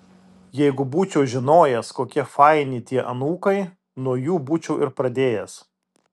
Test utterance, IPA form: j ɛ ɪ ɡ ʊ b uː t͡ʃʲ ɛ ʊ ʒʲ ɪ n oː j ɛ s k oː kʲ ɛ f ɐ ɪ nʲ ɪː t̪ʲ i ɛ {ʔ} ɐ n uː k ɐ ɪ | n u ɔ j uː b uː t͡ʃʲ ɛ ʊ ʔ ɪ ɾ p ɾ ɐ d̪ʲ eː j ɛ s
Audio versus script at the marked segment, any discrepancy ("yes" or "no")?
no